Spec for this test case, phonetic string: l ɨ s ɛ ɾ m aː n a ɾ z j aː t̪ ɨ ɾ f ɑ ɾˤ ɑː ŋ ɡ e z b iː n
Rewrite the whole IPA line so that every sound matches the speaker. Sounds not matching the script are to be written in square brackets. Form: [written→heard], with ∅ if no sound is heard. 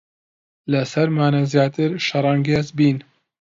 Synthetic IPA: l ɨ s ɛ ɾ m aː n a [ɾ→∅] z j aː t̪ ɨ ɾ [f→ʃ] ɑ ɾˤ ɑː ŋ ɡ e z b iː n